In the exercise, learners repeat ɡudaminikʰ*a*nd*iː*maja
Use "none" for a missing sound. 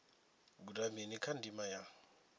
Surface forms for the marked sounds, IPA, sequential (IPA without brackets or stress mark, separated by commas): a, i